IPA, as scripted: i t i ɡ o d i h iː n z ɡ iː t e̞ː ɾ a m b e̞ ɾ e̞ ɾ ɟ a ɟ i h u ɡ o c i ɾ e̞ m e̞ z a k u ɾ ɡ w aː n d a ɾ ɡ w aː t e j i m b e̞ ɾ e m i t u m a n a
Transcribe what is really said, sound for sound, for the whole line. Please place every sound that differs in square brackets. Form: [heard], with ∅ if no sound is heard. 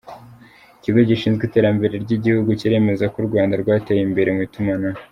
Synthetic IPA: i [c] i ɡ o [ɟ] i [ʃ] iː n z ɡ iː t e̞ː ɾ a m b e̞ ɾ e̞ ɾ ɟ [i] ɟ i h u ɡ [u] c i ɾ e̞ m e̞ z a k u ɾ ɡ w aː n d a ɾ ɡ w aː t e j i m b e̞ ɾ e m i t u m a n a